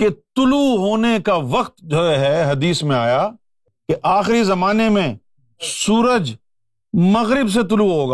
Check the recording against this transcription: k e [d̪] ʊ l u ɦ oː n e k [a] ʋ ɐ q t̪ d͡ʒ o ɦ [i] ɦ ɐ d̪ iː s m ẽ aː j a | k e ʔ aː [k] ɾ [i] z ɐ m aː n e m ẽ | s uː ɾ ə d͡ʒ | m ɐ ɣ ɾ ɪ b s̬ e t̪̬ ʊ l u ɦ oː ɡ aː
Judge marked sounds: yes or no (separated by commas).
no, yes, no, no, yes